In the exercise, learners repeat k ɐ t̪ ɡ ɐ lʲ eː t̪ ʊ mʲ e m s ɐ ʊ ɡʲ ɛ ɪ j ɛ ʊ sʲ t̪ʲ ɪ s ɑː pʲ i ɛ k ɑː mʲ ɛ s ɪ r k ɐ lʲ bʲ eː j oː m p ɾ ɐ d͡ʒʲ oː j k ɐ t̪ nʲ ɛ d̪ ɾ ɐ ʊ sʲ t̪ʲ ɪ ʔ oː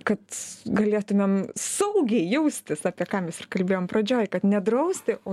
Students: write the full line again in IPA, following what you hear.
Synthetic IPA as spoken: k ɐ t̪ ɡ ɐ lʲ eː t̪ ʊ mʲ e m s ɐ ʊ ɡʲ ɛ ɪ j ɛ ʊ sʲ t̪ʲ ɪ s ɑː pʲ i ɛ k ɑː mʲ ɛ s ɪ r k ɐ lʲ bʲ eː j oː m p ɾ ɐ d͡ʒʲ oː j k ɐ t̪ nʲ ɛ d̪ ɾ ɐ ʊ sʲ t̪ʲ ɪ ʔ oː